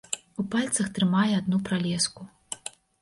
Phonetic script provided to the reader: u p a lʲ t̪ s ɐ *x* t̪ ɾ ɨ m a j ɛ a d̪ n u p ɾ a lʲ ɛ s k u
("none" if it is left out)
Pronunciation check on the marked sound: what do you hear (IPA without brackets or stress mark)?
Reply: x